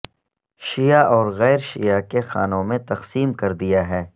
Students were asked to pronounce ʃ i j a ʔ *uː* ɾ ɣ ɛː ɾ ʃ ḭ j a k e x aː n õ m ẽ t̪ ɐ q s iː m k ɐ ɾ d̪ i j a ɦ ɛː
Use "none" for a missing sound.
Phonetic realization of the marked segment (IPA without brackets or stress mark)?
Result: ɔː